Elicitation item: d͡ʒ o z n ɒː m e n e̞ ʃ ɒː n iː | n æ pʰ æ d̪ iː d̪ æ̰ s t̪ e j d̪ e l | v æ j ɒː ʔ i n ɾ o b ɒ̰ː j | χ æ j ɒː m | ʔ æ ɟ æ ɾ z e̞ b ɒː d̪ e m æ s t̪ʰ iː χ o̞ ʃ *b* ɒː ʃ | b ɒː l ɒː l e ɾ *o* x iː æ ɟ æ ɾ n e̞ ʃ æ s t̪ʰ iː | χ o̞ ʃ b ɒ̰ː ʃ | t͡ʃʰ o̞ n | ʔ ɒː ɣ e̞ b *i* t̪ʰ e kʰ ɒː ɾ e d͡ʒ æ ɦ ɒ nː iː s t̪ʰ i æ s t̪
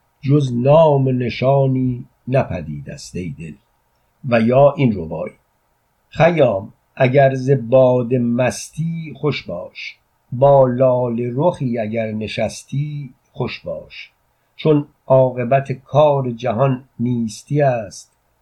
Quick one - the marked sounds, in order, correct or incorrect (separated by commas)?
correct, correct, incorrect